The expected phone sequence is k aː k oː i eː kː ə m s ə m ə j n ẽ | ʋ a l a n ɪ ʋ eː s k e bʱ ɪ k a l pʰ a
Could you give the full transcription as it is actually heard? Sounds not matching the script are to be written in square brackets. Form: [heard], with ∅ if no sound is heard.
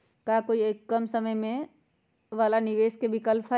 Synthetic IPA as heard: k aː k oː i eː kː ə m s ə m ə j [m] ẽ | ʋ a l a n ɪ ʋ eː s k e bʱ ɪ k [ə] l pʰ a